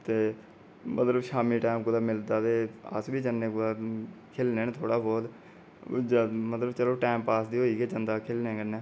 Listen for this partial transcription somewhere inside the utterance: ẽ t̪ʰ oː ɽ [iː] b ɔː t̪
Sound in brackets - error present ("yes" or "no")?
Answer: yes